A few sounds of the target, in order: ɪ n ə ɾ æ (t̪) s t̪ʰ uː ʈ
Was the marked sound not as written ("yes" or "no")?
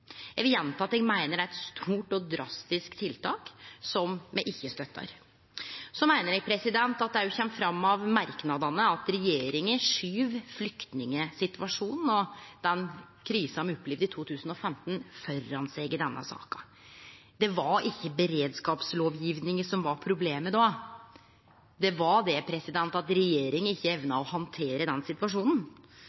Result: no